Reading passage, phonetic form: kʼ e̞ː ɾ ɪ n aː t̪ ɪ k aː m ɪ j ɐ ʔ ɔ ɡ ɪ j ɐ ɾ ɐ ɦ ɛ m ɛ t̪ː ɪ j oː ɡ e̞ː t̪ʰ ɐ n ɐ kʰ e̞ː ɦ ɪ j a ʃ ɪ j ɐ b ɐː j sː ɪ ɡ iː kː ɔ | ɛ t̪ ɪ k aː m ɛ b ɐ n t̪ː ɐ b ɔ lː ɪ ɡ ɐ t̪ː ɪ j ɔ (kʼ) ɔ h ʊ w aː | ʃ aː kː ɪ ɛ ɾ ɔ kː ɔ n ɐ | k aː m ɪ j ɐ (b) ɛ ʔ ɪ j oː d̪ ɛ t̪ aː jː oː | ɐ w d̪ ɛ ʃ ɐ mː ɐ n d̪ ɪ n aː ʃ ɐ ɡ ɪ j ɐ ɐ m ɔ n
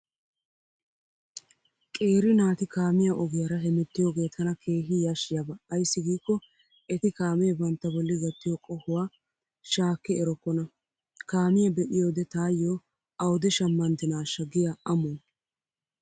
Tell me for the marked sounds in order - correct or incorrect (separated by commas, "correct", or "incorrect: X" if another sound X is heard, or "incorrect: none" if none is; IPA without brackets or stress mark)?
correct, correct